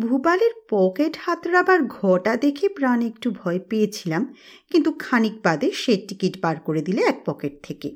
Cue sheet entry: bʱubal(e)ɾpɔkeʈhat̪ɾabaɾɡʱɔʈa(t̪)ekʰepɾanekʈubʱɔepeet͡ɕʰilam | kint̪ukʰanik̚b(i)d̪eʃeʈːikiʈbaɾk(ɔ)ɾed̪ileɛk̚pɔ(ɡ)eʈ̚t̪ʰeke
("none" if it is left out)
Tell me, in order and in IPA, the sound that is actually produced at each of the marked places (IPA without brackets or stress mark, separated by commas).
e, d̪, a, o, k